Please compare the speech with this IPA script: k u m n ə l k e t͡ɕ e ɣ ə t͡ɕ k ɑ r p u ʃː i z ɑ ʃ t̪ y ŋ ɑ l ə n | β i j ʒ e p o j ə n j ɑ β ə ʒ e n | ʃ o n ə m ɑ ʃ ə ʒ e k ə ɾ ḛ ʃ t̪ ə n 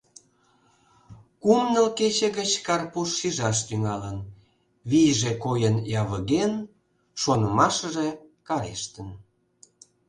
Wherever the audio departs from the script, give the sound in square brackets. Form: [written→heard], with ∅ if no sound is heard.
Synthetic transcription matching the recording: k u m n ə l k e t͡ɕ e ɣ ə t͡ɕ k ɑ r p u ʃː i [z→ʒ] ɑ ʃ t̪ y ŋ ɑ l ə n | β i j ʒ e [p→k] o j ə n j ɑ β ə [ʒ→ɣ] e n | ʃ o n ə m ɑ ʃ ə ʒ e k [ə→ɑ] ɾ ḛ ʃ t̪ ə n